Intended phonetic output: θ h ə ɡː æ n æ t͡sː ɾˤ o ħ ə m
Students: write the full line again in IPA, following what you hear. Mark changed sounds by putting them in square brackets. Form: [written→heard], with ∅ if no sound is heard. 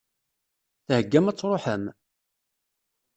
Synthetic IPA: θ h ə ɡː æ [n→m] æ t͡sː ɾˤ o ħ ə m